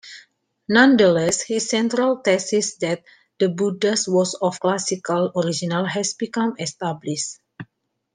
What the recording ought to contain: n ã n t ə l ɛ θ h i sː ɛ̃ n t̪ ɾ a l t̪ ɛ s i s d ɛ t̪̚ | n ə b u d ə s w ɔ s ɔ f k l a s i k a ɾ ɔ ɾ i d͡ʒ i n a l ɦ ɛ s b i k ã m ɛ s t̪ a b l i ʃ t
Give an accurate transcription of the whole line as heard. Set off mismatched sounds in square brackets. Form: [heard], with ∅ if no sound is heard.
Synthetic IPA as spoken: n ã n [d] ə l ɛ [s] h i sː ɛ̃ n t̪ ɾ a l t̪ ɛ s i s d ɛ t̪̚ | [d] ə b u d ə s w ɔ s ɔ f k l a s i k a [l] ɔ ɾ i d͡ʒ i n a l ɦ ɛ s b i k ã m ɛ s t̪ a b l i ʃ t